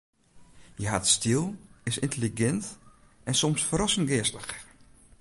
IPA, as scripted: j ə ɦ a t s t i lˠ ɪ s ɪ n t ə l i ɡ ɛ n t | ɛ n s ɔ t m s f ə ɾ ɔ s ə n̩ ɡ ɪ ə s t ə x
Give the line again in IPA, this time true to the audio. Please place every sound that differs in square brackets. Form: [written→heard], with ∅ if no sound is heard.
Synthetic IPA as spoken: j ə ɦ a t s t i lˠ ɪ s ɪ n t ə l i ɡ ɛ n t | ɛ n s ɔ [t→∅] m s f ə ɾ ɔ s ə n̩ ɡ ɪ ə s t ə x